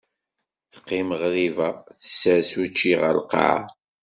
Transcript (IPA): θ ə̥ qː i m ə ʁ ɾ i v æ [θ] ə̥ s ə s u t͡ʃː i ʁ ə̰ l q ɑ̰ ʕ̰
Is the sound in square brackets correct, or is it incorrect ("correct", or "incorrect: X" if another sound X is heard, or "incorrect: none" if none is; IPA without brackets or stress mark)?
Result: correct